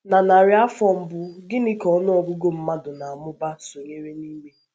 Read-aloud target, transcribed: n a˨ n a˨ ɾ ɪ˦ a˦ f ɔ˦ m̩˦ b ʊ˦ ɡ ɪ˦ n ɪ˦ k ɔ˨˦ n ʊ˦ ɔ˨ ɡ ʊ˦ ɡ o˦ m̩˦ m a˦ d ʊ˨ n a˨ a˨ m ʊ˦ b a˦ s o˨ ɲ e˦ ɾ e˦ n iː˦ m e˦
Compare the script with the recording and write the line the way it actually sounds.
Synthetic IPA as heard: n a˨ n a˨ ɾ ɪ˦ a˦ f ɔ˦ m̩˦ b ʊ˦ ɡ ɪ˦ n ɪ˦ k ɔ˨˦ n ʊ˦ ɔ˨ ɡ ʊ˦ ɡ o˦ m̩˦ m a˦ d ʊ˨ n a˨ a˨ m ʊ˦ b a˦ s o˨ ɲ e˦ ɾ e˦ n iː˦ m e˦